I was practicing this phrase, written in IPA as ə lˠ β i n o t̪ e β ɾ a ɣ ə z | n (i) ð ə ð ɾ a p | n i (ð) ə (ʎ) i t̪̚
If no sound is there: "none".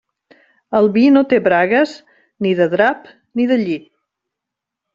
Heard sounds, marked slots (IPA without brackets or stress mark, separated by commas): i, ð, ʎ